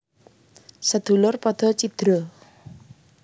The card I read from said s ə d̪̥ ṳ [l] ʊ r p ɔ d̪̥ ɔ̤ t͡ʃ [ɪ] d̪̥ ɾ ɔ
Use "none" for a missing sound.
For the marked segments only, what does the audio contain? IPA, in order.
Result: l, i

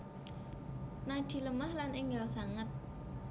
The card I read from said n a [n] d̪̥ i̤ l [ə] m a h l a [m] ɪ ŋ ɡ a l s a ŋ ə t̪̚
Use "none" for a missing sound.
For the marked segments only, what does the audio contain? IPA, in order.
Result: none, ə, n

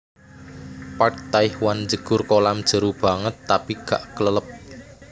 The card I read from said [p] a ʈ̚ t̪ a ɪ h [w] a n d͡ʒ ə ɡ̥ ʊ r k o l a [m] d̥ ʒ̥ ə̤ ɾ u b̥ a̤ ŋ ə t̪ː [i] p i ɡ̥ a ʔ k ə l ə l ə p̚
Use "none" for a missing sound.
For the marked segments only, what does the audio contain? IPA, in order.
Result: p, w, m, a

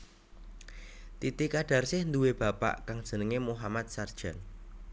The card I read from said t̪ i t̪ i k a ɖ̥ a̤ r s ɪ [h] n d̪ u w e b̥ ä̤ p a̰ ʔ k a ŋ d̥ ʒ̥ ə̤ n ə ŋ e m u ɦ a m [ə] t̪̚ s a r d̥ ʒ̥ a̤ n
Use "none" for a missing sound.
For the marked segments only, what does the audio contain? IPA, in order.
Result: h, a

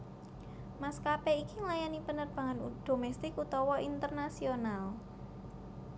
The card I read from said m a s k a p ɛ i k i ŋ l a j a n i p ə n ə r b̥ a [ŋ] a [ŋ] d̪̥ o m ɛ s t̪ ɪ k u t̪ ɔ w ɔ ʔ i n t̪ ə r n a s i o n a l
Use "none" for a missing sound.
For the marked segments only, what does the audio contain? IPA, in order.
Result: ŋ, n

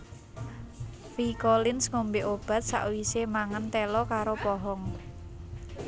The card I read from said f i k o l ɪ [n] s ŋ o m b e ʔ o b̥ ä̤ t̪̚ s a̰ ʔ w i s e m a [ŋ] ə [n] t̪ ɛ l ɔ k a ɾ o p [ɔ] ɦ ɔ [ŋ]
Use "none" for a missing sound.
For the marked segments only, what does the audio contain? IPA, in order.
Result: n, ŋ, n, ɔ, ŋ

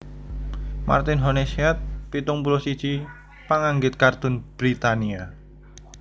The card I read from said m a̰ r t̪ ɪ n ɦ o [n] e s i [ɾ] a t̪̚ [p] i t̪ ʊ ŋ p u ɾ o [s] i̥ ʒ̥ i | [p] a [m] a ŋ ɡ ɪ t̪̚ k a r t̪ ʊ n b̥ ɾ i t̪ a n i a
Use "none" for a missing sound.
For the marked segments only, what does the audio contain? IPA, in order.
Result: n, none, p, s, p, ŋ

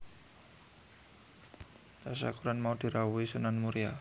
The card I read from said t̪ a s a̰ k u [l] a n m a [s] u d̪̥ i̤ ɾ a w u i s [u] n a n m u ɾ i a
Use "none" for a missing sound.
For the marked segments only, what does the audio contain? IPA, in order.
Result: ɾ, none, u

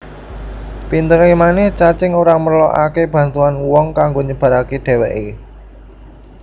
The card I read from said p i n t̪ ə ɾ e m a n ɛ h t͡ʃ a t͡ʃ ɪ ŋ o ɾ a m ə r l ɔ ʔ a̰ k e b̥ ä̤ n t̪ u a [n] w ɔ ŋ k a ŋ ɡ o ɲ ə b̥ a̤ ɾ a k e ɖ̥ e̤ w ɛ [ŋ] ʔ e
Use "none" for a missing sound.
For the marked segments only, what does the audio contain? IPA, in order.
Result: n, none

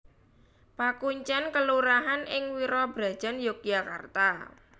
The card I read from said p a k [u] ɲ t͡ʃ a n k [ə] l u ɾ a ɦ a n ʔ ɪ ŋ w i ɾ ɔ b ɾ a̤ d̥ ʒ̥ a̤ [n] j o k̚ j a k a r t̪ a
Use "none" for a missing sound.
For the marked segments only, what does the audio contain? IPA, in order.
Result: u, ə, n

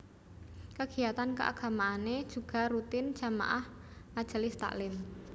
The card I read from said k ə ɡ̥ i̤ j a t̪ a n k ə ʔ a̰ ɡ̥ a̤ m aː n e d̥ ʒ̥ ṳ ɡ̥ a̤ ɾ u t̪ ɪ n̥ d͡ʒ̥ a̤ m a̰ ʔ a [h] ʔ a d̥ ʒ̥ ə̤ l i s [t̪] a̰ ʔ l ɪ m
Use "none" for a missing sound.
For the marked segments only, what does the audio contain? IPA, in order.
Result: h, t̪

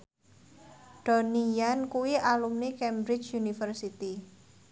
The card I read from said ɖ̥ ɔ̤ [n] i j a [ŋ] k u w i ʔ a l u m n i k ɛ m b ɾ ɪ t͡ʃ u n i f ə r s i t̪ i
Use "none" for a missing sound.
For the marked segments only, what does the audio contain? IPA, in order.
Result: n, n

